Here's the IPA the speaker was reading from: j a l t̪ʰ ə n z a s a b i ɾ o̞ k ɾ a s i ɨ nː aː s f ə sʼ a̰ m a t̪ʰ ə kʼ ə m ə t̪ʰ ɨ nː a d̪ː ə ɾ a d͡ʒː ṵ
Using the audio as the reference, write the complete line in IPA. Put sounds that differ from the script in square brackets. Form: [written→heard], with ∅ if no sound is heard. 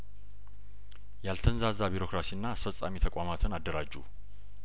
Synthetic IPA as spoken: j a l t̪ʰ ə n z a [s→z] a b i ɾ o̞ k ɾ a s i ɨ nː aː s f ə sʼ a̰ m [a→i] t̪ʰ ə kʼ [ə→a] m [ə→a] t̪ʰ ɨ [nː→n] a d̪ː ə ɾ a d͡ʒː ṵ